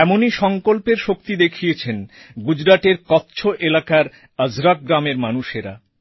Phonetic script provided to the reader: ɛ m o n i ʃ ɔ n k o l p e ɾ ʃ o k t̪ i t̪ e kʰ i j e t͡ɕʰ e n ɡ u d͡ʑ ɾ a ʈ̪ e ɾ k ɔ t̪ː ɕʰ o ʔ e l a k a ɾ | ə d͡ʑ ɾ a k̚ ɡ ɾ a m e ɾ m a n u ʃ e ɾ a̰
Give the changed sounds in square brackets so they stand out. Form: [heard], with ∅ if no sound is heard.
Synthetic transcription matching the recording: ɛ m o n i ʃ ɔ [ŋ] k o l p e ɾ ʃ o k t̪ i [d̪] e kʰ i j e t͡ɕʰ e n ɡ u d͡ʑ ɾ a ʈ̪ e ɾ k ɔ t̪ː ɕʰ o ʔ e l a k a ɾ | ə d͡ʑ ɾ a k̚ ɡ ɾ a m e ɾ m a n u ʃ e ɾ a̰